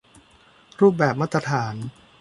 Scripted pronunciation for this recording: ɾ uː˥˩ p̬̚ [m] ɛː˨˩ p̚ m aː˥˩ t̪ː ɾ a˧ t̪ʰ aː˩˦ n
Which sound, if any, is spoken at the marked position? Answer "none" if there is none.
b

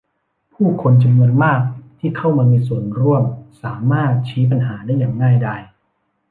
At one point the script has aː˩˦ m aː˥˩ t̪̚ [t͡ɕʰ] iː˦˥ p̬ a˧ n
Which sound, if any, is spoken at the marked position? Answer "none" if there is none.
t͡ɕʰ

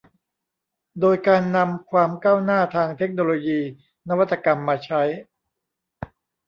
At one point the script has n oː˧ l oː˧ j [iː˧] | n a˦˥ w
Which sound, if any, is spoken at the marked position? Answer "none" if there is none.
iː˧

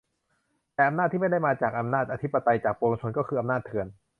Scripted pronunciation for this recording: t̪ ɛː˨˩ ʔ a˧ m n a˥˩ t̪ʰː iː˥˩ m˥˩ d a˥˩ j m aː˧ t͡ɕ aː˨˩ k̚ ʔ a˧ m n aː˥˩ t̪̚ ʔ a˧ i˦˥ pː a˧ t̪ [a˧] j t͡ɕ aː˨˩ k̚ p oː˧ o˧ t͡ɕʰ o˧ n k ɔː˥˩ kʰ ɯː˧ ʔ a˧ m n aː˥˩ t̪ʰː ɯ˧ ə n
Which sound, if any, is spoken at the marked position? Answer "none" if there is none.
a˧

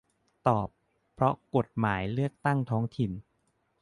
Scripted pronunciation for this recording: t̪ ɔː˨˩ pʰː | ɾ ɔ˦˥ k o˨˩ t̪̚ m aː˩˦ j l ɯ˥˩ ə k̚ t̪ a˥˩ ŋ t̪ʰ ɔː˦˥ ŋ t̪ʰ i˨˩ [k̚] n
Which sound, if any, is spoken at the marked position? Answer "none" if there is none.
none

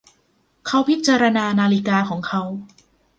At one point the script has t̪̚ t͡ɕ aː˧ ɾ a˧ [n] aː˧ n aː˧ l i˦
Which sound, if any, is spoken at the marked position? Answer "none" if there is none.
n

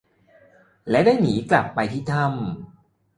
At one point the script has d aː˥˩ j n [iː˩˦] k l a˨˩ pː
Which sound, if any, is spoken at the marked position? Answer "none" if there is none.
iː˩˦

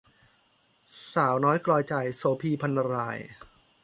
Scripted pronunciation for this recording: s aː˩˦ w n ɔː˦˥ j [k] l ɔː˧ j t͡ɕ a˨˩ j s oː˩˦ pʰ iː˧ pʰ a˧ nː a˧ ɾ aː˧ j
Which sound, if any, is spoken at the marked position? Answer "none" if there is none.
k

